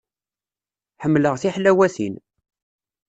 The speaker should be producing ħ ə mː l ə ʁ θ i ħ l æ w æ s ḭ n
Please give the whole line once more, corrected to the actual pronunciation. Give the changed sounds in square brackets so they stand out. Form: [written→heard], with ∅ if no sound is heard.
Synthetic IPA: ħ ə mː l ə ʁ θ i ħ l æ w æ [s→θ] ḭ n